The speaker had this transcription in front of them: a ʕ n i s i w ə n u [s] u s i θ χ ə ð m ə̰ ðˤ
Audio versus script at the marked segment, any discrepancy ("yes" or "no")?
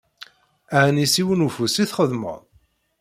yes